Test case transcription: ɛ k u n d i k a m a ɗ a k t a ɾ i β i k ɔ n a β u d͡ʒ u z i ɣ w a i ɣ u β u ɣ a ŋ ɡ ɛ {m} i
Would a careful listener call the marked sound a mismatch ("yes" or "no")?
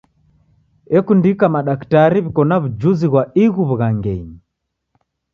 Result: yes